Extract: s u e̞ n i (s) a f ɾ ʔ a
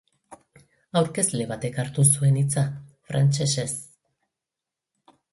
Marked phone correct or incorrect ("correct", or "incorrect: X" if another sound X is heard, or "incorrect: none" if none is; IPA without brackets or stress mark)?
incorrect: t͡s